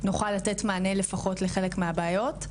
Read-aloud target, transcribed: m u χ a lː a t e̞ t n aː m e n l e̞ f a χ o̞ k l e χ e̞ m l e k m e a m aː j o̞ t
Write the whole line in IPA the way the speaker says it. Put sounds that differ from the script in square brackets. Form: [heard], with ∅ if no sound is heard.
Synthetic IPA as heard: [n] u χ a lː a t e̞ t [m] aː [n] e [∅] l e̞ f a χ o̞ [t] l e χ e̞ [∅] l e k m e a [b] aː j o̞ t